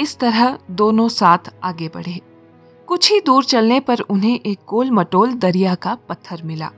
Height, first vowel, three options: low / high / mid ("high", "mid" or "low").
high